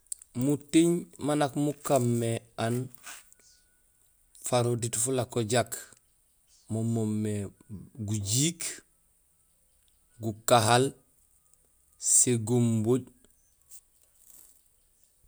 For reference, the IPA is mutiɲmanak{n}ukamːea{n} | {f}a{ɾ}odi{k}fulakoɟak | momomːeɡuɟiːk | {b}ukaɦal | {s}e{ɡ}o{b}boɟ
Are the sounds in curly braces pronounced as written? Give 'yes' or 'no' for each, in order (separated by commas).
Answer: no, yes, yes, yes, no, no, yes, yes, no